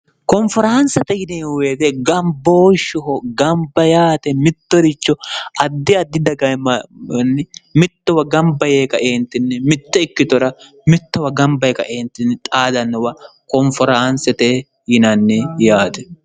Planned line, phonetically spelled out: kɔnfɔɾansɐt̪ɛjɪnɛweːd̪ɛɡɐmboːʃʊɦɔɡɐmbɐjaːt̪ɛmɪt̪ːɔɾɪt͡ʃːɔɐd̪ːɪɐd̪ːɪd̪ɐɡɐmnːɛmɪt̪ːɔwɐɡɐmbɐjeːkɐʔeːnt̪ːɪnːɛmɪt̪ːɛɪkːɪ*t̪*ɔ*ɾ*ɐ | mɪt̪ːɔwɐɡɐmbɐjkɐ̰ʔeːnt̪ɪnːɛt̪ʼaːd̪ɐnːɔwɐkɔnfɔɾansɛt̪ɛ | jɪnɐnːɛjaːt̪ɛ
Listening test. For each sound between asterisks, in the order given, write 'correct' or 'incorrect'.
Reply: correct, correct

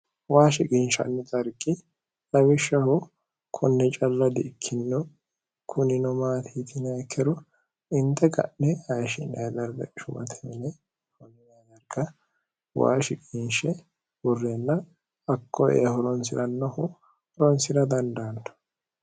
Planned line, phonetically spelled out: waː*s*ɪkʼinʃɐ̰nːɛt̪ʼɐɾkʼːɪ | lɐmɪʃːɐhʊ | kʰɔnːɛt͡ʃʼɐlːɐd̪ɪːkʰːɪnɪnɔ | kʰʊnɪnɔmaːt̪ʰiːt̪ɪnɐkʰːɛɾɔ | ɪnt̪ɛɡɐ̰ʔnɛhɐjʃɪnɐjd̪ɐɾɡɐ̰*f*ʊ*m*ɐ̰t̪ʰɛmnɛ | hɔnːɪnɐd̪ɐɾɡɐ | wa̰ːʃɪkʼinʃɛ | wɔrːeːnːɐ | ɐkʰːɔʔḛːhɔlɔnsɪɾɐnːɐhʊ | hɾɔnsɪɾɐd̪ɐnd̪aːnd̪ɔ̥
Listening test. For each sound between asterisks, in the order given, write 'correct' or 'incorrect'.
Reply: incorrect, incorrect, correct

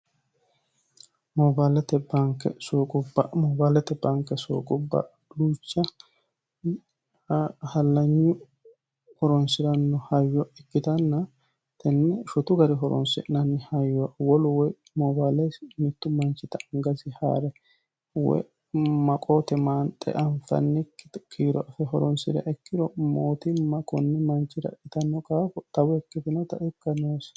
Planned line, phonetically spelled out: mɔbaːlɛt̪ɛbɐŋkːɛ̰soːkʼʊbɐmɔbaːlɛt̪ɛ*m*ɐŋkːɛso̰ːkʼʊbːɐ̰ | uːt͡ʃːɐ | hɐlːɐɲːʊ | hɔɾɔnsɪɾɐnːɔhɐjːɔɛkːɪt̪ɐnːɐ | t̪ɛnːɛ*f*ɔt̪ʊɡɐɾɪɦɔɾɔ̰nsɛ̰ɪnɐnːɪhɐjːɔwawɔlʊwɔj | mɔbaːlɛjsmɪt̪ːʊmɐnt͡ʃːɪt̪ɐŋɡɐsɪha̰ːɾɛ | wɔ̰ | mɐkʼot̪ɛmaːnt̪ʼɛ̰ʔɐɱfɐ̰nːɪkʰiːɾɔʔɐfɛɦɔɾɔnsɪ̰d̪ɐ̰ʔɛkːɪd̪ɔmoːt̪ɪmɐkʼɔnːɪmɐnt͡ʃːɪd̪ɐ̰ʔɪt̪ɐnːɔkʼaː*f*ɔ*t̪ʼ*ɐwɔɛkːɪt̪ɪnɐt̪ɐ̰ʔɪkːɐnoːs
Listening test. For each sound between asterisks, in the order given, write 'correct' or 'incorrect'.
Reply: incorrect, incorrect, correct, incorrect

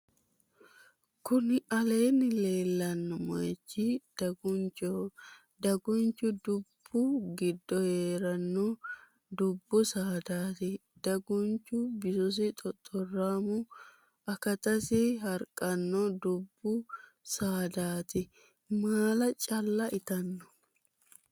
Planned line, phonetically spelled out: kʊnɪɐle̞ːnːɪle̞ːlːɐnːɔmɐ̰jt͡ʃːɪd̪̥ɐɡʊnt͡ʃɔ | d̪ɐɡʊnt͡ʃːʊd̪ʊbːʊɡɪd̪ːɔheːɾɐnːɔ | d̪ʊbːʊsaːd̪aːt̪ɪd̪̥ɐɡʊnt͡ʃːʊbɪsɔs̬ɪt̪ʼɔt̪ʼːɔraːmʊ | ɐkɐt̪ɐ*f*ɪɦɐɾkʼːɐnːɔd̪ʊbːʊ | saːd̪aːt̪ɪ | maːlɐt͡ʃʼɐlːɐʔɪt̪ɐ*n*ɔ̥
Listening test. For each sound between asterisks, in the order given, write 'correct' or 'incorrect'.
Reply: incorrect, incorrect

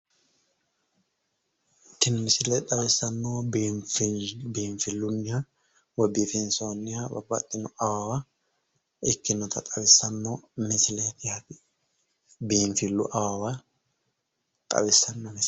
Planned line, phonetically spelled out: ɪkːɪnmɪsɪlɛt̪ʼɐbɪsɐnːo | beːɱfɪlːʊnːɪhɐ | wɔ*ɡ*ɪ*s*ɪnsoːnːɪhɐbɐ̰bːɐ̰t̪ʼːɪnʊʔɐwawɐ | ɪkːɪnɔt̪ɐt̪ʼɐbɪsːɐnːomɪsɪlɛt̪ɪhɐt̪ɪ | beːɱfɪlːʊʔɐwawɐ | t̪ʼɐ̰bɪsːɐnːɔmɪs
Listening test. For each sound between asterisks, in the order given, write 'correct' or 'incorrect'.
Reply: incorrect, incorrect

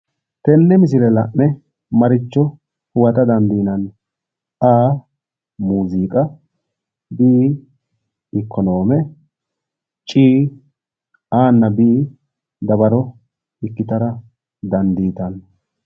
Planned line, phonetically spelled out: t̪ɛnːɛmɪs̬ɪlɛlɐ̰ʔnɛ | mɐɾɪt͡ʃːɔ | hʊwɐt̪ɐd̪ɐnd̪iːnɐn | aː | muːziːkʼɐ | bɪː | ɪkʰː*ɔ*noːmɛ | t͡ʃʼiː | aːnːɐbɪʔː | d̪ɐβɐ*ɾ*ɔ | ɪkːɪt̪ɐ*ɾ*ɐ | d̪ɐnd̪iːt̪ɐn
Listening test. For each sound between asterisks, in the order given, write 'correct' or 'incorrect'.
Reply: correct, correct, correct

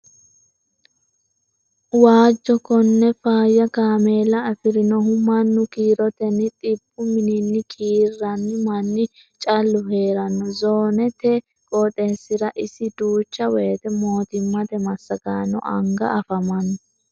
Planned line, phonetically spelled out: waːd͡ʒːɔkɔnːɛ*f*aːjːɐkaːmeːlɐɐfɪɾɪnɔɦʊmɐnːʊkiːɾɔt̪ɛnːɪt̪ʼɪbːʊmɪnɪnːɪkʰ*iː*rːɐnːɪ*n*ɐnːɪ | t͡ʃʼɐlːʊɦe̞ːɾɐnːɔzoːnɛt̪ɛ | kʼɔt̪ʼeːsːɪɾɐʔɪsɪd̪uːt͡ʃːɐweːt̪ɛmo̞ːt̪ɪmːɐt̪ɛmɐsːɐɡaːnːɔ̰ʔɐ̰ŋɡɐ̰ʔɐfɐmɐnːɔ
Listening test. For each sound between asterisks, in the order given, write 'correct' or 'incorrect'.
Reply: correct, correct, incorrect

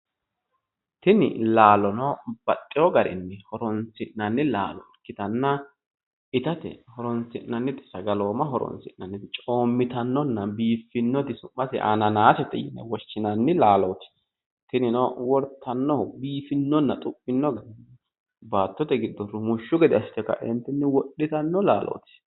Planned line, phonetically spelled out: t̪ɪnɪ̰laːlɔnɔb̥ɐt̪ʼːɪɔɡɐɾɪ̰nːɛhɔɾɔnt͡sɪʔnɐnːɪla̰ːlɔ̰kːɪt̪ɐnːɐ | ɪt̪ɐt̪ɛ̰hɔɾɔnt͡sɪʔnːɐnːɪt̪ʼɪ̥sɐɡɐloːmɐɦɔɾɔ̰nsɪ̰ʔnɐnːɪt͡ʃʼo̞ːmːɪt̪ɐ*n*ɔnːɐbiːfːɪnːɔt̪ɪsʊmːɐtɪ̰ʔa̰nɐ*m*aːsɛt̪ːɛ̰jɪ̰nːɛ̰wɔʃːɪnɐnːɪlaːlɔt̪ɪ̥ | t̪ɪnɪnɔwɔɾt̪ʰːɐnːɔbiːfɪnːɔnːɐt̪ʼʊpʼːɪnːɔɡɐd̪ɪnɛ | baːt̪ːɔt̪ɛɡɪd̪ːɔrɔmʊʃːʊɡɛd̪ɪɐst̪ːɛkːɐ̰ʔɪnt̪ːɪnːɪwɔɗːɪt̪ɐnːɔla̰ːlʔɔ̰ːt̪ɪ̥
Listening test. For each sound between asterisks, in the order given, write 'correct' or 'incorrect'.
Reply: incorrect, incorrect

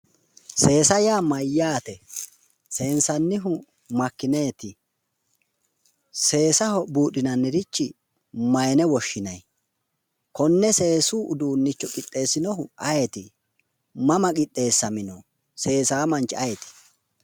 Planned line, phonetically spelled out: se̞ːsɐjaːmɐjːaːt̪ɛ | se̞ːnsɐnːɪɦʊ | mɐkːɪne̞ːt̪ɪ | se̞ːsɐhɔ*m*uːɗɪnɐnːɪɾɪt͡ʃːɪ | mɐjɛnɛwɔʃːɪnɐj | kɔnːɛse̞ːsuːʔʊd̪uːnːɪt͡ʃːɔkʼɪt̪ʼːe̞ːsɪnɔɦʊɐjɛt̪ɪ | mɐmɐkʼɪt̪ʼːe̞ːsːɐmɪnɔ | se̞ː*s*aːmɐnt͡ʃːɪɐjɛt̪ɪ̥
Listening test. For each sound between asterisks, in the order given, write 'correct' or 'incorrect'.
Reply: incorrect, correct

